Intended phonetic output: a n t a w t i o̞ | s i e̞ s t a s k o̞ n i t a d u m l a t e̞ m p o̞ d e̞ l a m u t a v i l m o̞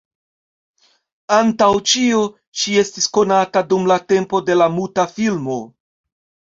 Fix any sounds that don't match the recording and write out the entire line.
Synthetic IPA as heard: a n t a w t͡ʃ i o̞ | ʃ i e̞ s t i s k o̞ n a t a d u m l a t e̞ m p o̞ d e̞ l a m u t a f i l m o̞